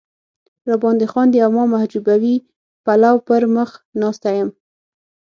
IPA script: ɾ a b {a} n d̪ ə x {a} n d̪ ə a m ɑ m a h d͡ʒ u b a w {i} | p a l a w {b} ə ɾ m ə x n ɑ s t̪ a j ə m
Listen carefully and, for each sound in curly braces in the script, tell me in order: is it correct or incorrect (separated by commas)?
incorrect, incorrect, correct, incorrect